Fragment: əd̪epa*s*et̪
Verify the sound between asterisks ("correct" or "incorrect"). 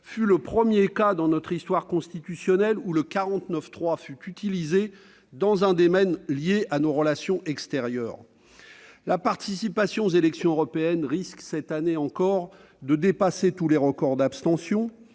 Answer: correct